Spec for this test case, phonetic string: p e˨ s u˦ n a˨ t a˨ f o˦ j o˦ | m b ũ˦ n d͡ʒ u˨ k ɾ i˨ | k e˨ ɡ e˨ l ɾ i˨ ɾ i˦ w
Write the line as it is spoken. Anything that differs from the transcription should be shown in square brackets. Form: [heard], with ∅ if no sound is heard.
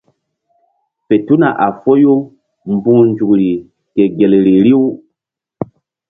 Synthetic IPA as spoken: p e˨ [t] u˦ n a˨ [ʔ] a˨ f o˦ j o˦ | m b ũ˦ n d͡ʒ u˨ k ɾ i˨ | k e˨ ɡ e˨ l ɾ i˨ ɾ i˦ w

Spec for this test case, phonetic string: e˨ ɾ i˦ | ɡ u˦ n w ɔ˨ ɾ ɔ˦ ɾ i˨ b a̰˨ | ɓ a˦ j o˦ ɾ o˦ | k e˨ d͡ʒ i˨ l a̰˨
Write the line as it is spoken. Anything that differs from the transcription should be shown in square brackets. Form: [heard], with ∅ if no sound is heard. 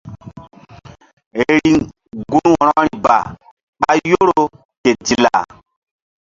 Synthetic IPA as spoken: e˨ ɾ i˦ | ɡ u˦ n w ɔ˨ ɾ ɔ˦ ɾ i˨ b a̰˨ | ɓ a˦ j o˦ ɾ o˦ | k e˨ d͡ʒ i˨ l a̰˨

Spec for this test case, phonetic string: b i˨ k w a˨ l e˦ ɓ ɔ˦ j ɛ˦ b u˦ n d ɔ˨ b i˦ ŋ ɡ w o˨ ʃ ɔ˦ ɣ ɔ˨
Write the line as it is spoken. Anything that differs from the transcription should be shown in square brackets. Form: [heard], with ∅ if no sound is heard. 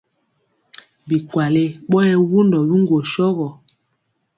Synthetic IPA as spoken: b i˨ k w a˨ l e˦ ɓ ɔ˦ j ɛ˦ [w] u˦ n d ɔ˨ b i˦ ŋ ɡ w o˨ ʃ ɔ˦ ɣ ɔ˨

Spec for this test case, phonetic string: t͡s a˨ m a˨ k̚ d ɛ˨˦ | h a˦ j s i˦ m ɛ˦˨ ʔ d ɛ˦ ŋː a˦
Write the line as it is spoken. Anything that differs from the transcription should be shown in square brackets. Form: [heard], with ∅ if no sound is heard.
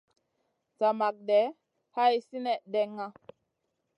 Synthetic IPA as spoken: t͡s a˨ m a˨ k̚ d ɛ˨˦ | h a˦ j s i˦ [n] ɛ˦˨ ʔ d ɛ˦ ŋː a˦

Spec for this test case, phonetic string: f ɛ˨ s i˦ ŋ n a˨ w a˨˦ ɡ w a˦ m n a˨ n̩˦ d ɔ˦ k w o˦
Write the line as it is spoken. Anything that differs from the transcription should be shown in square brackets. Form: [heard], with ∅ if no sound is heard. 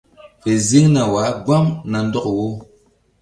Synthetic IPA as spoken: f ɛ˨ [z] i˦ ŋ n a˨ w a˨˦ ɡ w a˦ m n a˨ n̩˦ d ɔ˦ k w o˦

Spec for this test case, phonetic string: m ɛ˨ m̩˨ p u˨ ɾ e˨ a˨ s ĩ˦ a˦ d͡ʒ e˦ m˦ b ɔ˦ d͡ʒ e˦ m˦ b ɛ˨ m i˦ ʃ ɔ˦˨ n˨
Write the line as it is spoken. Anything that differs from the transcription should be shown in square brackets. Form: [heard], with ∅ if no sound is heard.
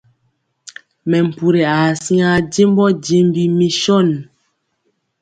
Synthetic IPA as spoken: m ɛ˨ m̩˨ p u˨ ɾ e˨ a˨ s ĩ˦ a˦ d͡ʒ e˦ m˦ b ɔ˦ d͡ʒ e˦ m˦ b [i˨] m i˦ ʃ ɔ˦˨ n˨

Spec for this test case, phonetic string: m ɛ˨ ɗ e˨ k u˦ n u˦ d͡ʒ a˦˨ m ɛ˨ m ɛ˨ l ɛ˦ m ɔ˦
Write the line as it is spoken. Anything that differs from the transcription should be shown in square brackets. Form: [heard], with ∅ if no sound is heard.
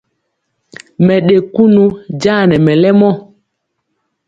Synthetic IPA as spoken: m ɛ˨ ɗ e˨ k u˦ n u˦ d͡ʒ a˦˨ [n] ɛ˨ m ɛ˨ l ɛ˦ m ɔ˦

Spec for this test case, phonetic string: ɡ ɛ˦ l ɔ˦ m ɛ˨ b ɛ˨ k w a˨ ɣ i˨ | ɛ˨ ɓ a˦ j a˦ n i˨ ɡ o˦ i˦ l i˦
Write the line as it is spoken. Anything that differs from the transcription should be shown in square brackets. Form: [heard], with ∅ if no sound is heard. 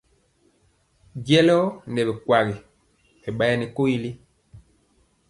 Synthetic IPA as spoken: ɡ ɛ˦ l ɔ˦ [n] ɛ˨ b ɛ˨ k w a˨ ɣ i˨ | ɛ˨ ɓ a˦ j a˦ n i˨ [k] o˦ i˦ l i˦

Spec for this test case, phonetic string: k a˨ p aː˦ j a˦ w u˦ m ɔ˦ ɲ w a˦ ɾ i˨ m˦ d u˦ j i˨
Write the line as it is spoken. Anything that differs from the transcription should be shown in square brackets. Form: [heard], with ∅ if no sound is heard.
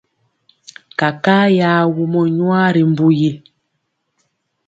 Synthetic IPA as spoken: k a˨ [k] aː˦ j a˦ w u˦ m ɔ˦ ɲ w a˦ ɾ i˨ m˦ [b] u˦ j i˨

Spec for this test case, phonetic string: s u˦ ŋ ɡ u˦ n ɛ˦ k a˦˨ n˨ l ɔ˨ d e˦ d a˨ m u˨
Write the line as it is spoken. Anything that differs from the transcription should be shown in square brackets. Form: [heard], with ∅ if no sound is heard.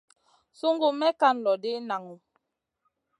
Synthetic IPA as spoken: s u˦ ŋ ɡ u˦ [m] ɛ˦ k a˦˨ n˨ l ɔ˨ d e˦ [n] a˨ [ŋ] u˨

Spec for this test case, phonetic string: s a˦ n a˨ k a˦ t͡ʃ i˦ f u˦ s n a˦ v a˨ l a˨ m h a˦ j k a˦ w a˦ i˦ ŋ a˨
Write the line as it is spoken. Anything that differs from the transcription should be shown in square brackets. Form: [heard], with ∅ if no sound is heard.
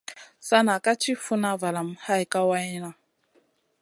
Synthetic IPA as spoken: s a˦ n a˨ k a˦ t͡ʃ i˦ f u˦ [∅] n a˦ v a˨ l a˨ m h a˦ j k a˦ w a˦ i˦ [n] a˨

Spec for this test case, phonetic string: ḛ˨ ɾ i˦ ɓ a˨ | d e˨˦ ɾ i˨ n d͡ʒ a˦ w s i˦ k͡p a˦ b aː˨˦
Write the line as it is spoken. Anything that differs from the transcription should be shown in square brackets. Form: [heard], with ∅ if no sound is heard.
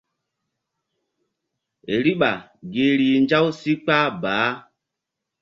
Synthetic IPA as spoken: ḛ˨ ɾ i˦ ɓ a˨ | [ɡ] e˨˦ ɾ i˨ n d͡ʒ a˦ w s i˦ k͡p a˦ b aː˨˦

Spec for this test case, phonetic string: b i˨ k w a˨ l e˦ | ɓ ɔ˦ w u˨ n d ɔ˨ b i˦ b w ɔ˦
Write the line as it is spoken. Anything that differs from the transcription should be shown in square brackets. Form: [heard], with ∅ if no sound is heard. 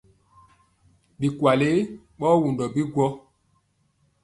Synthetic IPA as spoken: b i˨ k w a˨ l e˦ | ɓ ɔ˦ w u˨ n d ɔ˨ b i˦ [ɡ] w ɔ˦

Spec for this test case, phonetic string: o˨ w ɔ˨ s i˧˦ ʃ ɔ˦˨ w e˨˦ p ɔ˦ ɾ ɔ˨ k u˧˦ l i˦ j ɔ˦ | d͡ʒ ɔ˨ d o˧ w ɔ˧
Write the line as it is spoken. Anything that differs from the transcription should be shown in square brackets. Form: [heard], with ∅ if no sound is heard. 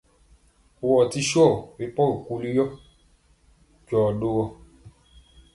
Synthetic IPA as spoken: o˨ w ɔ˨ [t] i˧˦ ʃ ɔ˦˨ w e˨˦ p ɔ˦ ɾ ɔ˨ k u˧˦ l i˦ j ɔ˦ | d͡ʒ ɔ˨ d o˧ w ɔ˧

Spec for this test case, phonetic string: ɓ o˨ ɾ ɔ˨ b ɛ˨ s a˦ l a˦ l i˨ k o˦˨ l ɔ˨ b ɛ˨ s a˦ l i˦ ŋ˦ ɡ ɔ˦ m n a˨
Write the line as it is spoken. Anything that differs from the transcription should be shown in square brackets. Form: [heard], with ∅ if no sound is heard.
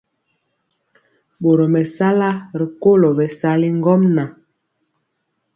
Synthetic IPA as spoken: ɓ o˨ ɾ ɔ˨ [m] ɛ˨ s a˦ l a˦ [ɾ] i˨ k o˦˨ l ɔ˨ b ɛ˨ s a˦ l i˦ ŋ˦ ɡ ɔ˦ m n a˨

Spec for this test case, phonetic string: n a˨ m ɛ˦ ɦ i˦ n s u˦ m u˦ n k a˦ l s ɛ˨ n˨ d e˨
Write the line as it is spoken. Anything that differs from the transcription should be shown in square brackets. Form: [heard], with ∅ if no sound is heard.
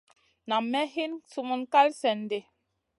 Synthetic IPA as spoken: n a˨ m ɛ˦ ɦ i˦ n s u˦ m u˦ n k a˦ l s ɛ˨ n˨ d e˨

